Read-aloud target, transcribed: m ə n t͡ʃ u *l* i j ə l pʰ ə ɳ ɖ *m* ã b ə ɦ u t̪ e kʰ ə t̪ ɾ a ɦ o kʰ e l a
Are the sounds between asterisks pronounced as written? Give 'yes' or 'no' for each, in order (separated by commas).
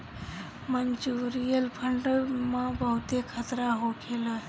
no, yes